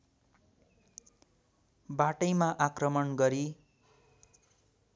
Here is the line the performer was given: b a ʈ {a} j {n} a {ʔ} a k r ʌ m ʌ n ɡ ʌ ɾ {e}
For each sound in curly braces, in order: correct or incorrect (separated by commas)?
incorrect, incorrect, correct, incorrect